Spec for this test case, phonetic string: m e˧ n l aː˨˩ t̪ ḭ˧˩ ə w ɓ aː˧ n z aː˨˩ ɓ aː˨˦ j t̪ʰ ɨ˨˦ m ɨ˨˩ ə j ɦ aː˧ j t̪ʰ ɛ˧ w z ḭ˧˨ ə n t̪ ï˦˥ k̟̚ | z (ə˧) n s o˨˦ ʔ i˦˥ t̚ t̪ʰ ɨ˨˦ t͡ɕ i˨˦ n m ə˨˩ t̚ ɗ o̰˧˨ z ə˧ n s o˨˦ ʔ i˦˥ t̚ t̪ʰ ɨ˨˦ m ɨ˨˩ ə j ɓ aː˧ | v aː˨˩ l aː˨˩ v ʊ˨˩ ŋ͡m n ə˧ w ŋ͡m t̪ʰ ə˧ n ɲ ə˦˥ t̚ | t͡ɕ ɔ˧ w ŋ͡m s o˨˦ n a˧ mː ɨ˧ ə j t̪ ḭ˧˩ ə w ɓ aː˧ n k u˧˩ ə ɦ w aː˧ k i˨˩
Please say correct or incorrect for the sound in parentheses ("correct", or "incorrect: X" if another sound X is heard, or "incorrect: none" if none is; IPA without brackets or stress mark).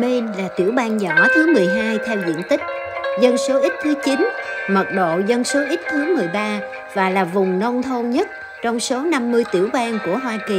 correct